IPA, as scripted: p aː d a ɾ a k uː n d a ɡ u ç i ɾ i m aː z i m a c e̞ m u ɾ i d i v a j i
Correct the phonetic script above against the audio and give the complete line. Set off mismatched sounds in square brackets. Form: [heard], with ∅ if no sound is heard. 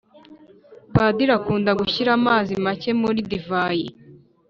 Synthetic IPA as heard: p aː d [i] ɾ a k uː n d a ɡ u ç i ɾ [a] m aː z i m a c e̞ m u ɾ i d i v a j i

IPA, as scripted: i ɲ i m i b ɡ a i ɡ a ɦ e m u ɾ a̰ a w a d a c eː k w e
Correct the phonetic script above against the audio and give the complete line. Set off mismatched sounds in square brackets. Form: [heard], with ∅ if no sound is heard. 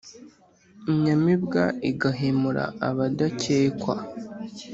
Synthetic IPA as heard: i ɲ [a] m i b ɡ a i ɡ a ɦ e m u ɾ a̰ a [β] a d a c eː k w [a]

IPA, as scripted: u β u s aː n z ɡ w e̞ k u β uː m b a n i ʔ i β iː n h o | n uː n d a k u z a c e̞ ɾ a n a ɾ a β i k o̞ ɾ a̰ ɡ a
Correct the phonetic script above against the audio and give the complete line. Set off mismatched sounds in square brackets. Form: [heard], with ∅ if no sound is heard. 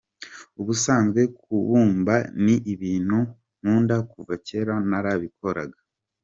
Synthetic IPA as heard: u β u s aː n z ɡ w e̞ k u β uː m b a n i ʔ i β iː n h [u] | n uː n d a k u [v] a c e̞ ɾ a n a ɾ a β i k o̞ ɾ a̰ ɡ a

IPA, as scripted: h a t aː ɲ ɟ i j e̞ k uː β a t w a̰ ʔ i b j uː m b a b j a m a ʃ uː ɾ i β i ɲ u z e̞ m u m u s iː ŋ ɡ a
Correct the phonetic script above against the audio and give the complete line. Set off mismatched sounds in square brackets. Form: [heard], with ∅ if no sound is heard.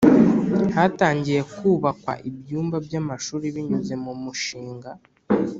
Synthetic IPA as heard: h a t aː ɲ ɟ i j e̞ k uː β a [k] w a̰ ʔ i b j uː m b a b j a m a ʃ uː ɾ i β i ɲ u z e̞ m u m u [ʃ] iː ŋ ɡ a

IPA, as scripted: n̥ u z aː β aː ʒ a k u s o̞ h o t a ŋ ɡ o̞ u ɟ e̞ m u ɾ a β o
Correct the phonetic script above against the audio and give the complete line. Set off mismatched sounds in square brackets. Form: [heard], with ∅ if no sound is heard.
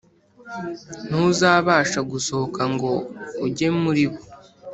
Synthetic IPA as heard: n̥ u z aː β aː [ʃ] a [ɡ] u s o̞ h o [k] a ŋ ɡ o̞ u ɟ e̞ m u ɾ [i] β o

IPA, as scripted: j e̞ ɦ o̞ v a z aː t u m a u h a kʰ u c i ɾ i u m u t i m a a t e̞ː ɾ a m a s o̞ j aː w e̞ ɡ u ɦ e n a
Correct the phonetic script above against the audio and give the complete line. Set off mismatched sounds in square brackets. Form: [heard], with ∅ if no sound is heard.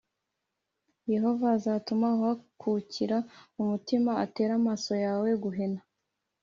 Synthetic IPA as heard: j e̞ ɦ o̞ v a z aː t u m a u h a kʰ u c i ɾ [a] u m u t i m a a t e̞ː ɾ a m a s o̞ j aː w e̞ ɡ u ɦ e n a

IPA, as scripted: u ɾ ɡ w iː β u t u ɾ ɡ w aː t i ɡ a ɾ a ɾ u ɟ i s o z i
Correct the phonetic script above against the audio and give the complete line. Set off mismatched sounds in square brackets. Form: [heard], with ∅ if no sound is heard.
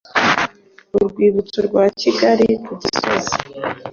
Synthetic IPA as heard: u ɾ ɡ w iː β u [t͡s] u ɾ ɡ w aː [c] i ɡ a ɾ [i] ɾ u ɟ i s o z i

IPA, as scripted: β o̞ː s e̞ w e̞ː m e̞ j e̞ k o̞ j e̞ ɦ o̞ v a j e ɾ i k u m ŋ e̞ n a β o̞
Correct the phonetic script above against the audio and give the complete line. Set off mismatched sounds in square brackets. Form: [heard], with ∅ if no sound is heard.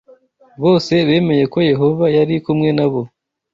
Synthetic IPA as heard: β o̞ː s e̞ [β] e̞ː m e̞ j e̞ k o̞ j e̞ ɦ o̞ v a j [a] ɾ i k u m ŋ e̞ n a β o̞

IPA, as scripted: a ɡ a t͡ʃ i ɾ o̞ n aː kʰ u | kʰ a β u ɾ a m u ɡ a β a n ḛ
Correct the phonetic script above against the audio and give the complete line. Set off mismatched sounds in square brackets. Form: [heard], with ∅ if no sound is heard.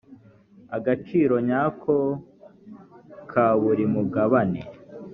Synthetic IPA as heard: a ɡ a t͡ʃ i ɾ o̞ [ɲ] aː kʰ [o] | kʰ a β u ɾ [i] m u ɡ a β a n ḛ

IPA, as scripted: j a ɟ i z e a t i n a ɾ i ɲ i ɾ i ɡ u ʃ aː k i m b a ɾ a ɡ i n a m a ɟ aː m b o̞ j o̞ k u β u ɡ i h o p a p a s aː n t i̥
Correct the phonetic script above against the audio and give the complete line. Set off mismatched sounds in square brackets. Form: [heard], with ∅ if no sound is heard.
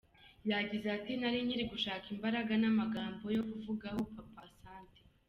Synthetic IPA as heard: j a ɟ i z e a t i n a ɾ i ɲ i ɾ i ɡ u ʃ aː k i m b a ɾ a ɡ [a] n a m a [ɡ] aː m b o̞ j o̞ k u [v] u ɡ [a] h o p a p a s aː n t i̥

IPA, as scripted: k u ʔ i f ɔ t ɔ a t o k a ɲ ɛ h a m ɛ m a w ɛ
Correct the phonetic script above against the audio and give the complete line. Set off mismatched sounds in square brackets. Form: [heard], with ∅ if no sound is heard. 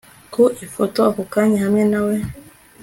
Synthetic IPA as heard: k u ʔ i f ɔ t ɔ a [k] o k a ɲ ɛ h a m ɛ [n] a w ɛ

